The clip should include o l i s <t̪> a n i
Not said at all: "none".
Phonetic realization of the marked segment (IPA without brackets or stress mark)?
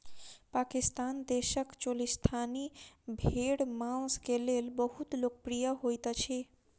t̪ʰ